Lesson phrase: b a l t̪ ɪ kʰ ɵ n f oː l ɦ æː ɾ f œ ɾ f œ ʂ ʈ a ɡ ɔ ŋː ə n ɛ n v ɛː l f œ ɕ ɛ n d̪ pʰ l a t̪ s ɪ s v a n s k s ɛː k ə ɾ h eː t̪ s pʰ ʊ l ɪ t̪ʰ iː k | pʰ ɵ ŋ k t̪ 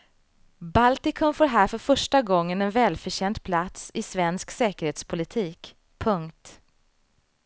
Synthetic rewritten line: b a l t̪ ɪ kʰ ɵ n f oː ɾ ɦ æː ɾ f œ ɾ f œ ʂ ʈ a ɡ ɔ ŋː ə n ɛ n v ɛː l f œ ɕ ɛ n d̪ pʰ l a t̪ s ɪ s v ɛ n s k s ɛː k ə ɾ h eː t̪ s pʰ ʊ l ɪ t̪ʰ iː k | pʰ ɵ ŋ k t̪